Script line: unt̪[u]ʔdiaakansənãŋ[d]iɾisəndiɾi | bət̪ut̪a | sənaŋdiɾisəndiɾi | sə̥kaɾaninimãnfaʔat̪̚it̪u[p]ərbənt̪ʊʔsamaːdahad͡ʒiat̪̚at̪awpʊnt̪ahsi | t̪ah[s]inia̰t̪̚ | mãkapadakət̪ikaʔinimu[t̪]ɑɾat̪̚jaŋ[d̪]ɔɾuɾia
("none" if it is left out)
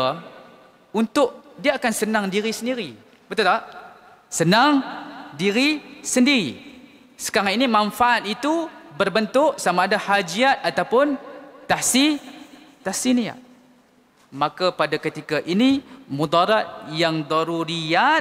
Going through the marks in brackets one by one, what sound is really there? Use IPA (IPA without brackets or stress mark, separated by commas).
ʊ, d, b, s, d̪, d̪